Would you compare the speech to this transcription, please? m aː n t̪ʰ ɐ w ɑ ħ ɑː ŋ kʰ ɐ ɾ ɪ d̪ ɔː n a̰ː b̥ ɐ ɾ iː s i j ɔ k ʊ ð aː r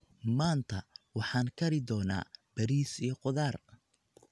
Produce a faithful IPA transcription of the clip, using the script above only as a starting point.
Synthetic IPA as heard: m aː n t̪ʰ ɐ w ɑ ħ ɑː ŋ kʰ ɐ ɾ ɪ d̪ ɔː n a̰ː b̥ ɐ ɾ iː s i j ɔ q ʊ ð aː r